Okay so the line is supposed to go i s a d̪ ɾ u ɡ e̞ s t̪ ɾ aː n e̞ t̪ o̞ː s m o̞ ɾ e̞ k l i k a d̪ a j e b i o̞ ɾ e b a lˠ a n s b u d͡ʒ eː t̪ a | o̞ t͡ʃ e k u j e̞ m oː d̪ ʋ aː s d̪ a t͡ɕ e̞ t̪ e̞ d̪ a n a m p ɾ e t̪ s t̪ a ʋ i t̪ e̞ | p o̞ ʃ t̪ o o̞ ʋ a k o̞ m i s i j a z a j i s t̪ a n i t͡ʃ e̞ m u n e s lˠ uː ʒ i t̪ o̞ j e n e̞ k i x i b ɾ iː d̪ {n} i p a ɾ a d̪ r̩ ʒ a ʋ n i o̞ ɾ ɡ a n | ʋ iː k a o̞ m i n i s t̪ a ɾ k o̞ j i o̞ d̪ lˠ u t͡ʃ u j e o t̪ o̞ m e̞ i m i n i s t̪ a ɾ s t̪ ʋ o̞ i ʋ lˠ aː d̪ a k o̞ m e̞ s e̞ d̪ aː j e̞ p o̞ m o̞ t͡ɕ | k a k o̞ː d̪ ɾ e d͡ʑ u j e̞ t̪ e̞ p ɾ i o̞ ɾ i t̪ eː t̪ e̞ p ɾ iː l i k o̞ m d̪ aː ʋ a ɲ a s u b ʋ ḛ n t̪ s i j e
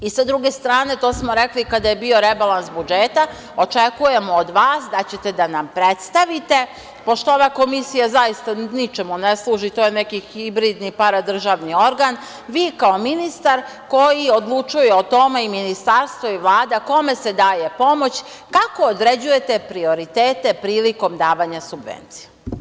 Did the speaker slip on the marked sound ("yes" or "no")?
no